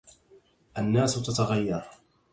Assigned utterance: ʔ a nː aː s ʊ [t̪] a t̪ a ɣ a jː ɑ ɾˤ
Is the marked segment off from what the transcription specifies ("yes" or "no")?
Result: no